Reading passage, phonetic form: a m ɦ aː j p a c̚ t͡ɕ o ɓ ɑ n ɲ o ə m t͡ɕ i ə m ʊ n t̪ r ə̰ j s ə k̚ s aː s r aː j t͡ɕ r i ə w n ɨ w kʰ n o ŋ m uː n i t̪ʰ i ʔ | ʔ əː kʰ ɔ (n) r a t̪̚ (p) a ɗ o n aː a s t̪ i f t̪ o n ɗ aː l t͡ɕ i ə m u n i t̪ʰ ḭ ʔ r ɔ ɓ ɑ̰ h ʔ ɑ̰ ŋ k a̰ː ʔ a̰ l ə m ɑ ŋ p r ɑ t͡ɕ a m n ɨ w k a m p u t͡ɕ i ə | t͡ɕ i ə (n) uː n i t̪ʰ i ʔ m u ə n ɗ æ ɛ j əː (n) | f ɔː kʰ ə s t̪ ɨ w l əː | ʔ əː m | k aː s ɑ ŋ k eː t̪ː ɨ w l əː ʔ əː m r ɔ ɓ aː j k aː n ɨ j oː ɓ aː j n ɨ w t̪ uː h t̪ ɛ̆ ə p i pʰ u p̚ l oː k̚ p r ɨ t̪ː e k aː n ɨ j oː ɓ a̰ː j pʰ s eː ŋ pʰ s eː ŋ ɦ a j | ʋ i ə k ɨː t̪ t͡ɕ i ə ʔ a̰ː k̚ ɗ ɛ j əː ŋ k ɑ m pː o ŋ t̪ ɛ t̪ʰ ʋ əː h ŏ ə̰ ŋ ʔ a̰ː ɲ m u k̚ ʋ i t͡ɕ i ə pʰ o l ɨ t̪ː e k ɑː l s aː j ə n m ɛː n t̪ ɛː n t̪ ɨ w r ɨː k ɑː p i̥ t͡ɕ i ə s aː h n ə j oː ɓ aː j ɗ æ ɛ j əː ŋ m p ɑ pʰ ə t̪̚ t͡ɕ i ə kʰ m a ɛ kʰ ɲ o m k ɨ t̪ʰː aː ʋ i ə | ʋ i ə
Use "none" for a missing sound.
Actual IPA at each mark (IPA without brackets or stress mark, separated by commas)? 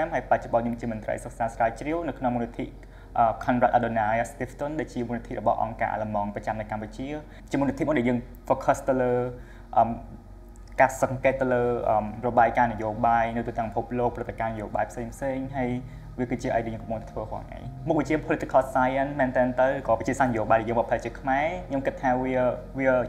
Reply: n, ʔ, m, ŋ